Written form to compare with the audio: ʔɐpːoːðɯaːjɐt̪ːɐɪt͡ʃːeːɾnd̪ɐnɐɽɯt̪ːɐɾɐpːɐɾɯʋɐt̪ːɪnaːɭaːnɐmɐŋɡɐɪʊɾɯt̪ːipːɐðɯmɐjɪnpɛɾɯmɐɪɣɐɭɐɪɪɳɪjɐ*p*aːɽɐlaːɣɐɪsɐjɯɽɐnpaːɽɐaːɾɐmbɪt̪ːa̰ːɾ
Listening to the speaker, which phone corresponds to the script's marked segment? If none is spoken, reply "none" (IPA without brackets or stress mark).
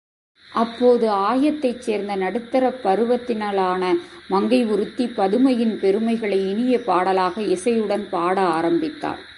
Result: p